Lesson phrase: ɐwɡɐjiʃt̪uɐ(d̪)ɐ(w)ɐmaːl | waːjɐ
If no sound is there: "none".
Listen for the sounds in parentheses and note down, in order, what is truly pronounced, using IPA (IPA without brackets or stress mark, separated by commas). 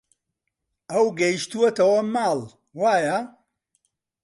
t̪, w